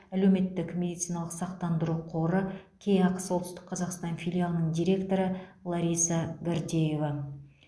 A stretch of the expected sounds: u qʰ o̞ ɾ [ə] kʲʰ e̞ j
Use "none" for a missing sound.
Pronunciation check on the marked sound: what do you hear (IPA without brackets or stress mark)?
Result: ə